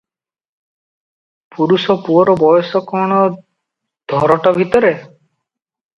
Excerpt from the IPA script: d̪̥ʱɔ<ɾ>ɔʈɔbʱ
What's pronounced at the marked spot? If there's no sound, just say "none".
ɾ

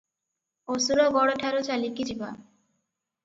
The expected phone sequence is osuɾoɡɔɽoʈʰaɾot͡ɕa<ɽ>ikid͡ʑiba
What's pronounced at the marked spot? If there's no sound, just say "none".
l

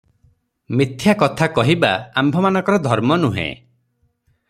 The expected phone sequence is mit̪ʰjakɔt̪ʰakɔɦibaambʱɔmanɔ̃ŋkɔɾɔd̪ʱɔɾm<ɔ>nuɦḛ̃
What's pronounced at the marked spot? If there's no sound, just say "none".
ɔ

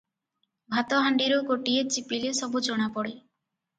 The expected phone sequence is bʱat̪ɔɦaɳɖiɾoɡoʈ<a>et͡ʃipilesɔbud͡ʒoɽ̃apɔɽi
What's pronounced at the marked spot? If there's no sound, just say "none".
i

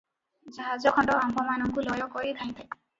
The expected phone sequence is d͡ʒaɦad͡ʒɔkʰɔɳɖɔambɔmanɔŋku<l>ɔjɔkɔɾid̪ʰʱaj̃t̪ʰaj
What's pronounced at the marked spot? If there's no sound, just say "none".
l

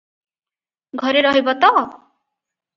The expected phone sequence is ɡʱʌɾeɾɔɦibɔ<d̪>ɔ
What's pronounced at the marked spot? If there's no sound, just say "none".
t̪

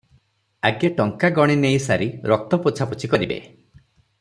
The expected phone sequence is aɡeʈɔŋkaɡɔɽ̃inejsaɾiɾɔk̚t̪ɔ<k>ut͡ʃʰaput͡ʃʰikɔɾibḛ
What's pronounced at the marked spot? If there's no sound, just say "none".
p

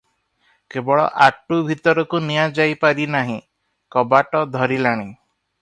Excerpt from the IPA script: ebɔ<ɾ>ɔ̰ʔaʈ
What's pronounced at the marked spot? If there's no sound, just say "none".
ɭ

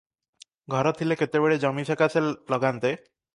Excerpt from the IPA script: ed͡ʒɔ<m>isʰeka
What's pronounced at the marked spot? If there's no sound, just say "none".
m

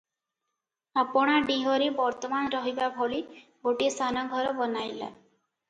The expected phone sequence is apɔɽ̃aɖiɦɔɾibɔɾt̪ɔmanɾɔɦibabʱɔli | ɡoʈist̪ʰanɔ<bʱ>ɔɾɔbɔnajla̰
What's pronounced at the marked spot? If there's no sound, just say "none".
ɡʱ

